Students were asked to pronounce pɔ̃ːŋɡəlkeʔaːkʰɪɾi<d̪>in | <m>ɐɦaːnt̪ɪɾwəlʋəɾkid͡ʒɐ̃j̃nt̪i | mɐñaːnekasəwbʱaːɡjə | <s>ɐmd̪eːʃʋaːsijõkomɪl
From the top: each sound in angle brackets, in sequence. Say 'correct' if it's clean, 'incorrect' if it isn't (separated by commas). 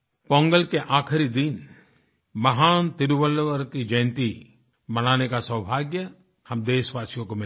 correct, correct, incorrect